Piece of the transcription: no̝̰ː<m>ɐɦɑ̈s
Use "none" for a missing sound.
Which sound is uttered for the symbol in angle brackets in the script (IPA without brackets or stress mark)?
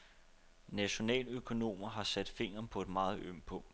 m